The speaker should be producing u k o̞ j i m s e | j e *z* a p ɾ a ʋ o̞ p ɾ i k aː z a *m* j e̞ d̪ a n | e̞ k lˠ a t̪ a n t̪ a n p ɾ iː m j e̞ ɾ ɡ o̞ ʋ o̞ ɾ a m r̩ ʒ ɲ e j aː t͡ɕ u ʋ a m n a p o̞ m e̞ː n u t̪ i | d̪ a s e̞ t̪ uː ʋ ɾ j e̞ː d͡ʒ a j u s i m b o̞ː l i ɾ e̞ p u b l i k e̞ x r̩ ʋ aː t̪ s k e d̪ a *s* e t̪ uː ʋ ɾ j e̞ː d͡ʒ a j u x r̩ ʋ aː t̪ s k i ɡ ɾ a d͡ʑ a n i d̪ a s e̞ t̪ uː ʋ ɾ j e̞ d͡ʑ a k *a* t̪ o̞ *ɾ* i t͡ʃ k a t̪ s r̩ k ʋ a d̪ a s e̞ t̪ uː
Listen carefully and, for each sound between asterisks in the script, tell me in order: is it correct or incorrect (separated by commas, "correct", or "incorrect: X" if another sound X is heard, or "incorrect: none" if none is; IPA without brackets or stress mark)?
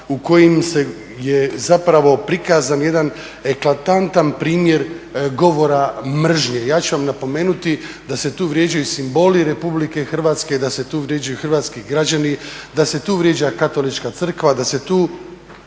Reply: correct, incorrect: n, correct, correct, incorrect: l